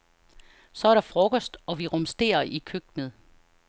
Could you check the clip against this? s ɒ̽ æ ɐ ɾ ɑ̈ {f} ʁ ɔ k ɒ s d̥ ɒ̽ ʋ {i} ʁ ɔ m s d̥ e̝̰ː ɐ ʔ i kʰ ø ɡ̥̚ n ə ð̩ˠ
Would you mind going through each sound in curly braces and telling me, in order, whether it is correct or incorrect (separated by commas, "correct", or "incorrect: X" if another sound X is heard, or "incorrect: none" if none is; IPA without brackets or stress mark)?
correct, correct